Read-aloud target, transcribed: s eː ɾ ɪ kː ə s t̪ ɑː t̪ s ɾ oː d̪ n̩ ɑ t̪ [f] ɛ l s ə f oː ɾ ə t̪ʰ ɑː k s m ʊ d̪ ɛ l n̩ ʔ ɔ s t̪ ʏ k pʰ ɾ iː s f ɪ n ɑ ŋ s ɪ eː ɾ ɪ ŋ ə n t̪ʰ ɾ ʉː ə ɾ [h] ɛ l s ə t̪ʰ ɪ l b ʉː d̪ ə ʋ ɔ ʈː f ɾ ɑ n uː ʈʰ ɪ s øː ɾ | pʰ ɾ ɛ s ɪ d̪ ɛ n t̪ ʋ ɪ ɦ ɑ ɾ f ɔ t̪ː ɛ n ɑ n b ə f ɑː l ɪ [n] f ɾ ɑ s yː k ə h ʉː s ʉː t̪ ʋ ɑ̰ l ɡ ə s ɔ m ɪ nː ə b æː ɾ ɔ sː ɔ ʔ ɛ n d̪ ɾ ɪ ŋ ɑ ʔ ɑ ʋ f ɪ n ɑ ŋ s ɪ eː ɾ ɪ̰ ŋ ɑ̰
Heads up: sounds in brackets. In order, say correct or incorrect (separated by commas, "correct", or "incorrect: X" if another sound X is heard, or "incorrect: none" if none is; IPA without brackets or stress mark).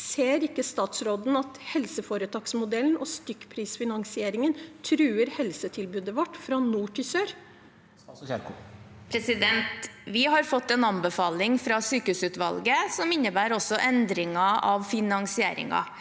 incorrect: h, correct, incorrect: ŋ